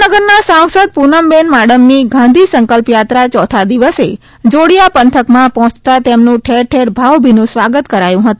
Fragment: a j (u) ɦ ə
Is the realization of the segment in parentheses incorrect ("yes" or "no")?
yes